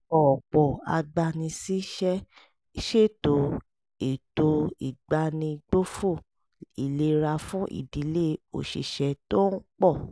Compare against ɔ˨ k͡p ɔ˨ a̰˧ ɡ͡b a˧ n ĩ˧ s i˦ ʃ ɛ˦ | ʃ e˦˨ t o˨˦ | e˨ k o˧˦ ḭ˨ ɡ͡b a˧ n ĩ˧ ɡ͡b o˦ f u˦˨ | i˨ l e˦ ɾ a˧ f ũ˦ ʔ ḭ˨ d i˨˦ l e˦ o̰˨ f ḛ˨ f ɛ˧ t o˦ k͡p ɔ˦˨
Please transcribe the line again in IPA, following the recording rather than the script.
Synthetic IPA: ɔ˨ k͡p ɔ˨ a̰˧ ɡ͡b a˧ n ĩ˧ s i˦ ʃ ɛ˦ | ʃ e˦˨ t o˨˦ | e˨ t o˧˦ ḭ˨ ɡ͡b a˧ n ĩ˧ ɡ͡b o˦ f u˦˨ | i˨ l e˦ ɾ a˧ f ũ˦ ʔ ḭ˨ d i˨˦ l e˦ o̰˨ ʃ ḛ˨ ʃ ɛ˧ t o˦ k͡p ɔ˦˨